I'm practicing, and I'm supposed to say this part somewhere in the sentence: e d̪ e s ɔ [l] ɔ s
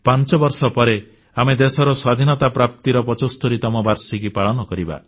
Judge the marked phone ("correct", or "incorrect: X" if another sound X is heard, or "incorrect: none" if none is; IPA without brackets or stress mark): incorrect: ɾ